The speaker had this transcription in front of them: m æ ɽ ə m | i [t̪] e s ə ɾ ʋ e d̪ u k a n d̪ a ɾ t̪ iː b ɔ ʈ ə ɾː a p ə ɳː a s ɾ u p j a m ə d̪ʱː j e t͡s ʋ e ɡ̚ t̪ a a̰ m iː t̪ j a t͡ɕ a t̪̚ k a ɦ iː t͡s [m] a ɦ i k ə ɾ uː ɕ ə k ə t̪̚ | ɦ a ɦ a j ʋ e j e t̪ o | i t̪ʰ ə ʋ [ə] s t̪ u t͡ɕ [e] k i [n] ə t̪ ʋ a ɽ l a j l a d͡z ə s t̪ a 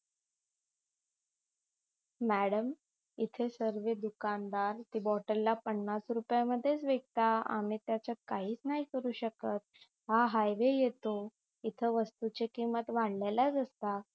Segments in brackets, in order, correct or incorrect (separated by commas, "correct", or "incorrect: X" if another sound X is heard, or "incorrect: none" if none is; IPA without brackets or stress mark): incorrect: t̪ʰ, incorrect: n, correct, correct, incorrect: m